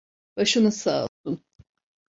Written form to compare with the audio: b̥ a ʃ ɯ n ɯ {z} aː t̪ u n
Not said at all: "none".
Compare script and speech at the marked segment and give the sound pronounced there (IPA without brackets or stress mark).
s